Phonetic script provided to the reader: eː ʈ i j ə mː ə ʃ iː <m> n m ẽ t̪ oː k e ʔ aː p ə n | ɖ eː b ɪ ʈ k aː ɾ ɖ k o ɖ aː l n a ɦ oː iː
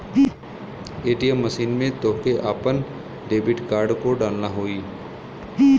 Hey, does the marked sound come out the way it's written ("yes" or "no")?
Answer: no